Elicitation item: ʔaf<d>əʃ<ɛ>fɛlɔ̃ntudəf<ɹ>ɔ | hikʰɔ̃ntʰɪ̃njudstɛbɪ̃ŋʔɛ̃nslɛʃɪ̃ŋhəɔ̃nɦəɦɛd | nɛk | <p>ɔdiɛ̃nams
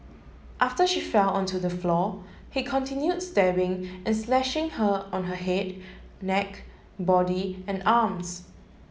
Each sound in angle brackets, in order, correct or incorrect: incorrect: t, incorrect: i, incorrect: l, incorrect: b

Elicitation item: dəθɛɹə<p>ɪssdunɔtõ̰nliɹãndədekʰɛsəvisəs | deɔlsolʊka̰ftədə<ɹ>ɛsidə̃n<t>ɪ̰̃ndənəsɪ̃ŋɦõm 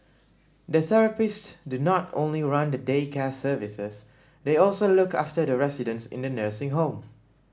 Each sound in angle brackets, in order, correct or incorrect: correct, correct, incorrect: s

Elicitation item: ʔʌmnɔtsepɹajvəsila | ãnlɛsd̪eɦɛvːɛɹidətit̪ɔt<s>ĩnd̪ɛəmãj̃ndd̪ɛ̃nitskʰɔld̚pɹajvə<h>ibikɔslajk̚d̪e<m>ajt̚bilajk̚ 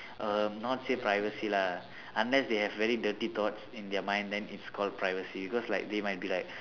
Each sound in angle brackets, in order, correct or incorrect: correct, incorrect: s, correct

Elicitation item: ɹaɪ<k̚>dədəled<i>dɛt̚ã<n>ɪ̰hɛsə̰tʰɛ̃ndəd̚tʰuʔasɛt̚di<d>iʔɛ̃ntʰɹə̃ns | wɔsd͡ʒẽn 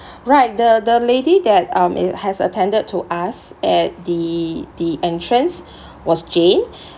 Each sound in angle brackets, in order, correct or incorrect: incorrect: t̚, correct, incorrect: m, correct

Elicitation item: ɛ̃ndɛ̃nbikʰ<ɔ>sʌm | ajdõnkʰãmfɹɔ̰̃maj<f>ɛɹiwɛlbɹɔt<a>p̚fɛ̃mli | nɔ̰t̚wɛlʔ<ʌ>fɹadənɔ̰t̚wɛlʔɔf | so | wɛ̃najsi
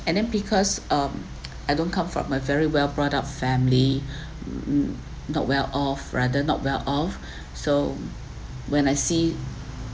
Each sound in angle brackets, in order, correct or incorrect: correct, incorrect: v, correct, incorrect: ɔ

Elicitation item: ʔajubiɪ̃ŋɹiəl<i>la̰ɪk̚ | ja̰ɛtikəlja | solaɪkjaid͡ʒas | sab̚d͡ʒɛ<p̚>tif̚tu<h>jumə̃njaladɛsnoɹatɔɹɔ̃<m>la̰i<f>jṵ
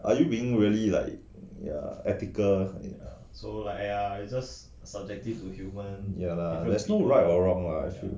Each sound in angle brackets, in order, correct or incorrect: correct, incorrect: k̚, correct, incorrect: ŋ, correct

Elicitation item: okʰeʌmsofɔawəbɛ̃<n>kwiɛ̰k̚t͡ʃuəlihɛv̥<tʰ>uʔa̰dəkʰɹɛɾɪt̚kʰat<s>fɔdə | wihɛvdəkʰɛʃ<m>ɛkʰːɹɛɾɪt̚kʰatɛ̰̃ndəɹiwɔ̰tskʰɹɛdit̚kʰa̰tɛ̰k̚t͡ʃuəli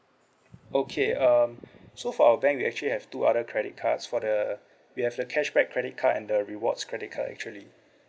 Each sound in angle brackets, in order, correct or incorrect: incorrect: ŋ, incorrect: t, correct, incorrect: b

